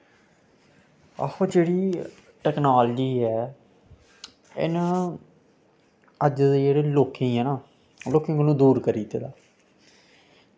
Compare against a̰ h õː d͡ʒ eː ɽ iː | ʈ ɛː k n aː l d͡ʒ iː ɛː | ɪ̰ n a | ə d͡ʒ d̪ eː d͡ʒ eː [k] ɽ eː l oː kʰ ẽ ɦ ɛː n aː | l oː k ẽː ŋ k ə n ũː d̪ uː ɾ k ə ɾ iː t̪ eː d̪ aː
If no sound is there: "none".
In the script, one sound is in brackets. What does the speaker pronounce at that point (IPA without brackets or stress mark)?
none